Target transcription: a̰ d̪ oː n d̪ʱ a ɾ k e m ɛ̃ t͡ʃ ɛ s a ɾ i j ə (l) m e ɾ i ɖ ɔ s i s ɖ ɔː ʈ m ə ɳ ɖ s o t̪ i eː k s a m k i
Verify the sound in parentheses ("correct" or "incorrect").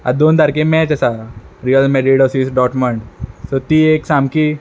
correct